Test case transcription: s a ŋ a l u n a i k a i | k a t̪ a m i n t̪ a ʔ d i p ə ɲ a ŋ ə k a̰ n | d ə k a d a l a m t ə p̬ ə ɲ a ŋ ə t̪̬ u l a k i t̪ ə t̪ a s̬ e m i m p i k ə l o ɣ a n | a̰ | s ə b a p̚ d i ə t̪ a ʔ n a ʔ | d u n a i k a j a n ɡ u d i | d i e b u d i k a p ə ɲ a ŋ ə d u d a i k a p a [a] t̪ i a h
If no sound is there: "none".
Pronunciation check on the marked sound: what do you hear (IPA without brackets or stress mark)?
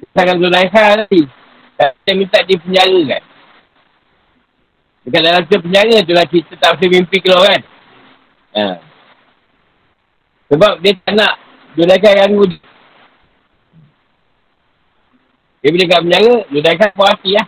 a